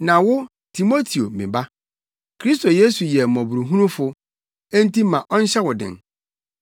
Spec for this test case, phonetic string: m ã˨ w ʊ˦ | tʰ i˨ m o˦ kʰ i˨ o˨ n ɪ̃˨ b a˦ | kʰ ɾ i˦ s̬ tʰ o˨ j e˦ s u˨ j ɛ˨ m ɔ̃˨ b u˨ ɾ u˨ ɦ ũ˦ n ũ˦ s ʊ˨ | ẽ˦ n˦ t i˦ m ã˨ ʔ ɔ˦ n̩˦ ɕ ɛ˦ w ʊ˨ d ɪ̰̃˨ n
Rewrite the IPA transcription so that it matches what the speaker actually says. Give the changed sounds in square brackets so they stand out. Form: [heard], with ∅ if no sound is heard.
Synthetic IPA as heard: [n] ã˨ w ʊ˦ | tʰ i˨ m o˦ [tʰ] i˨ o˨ [m] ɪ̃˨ b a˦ | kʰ ɾ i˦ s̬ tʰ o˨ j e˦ s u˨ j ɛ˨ m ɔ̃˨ b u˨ ɾ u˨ ɦ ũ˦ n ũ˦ [f] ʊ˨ | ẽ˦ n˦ t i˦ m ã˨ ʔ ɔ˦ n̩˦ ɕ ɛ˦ w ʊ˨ d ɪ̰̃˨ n